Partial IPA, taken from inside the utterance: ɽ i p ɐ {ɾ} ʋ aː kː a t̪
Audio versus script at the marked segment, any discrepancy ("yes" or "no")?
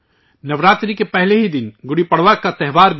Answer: yes